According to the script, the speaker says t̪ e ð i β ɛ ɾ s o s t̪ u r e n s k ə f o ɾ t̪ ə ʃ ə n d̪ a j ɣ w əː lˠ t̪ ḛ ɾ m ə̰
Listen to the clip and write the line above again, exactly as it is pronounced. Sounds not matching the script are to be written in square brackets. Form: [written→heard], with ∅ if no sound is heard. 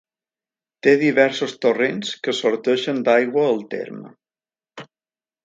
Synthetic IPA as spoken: t̪ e ð i β ɛ ɾ s o s t̪ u r e n s k ə [f→s] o ɾ t̪ ə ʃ ə n d̪ a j ɣ w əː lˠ t̪ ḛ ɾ m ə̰